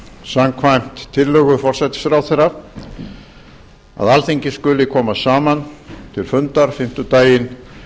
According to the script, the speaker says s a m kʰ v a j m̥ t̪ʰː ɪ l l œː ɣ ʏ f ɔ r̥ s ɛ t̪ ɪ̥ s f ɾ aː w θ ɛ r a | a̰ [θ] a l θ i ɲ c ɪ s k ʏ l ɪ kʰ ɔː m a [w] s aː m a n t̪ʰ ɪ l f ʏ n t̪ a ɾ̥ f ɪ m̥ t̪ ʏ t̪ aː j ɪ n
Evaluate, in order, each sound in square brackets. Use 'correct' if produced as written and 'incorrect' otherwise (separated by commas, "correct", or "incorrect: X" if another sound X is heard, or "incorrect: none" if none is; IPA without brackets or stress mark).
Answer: incorrect: ð, incorrect: none